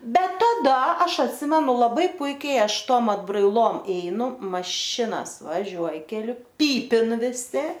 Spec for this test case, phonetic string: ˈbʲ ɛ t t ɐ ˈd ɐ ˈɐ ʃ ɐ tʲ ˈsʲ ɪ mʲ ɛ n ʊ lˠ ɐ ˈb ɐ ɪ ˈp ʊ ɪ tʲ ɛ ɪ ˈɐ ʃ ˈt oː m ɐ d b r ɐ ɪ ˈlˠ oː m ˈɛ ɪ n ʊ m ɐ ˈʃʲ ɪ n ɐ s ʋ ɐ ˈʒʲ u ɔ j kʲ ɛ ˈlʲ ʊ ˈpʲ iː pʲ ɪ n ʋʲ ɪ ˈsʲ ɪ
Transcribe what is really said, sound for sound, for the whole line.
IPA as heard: ˈbʲ ɛ t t ɐ ˈd ɐ ˈɐ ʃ ɐ tʲ ˈsʲ ɪ mʲ ɛ n ʊ lˠ ɐ ˈb ɐ ɪ ˈp ʊ ɪ kʲ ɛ ɪ ˈɐ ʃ ˈt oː m ɐ d b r ɐ ɪ ˈlˠ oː m ˈɛ ɪ n ʊ m ɐ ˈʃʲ ɪ n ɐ s ʋ ɐ ˈʒʲ u ɔ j kʲ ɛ ˈlʲ ʊ ˈpʲ iː pʲ ɪ n ʋʲ ɪ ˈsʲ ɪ